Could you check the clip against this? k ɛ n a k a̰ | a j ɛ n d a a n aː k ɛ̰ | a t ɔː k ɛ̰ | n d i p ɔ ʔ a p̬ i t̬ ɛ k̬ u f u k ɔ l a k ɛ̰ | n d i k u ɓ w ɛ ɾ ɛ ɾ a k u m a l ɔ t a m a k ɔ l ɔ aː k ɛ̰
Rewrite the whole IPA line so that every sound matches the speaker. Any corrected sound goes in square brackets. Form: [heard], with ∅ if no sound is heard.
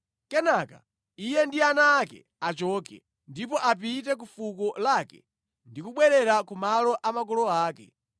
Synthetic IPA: k ɛ n a k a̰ | [i] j ɛ n d [i] a n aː k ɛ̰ | a [t͡ʃ] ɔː k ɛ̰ | n d i p ɔ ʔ a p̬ i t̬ ɛ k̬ u f u k ɔ l a k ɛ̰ | n d i k u ɓ w ɛ ɾ ɛ ɾ a k u m a l ɔ [ʔ] a m a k ɔ l ɔ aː k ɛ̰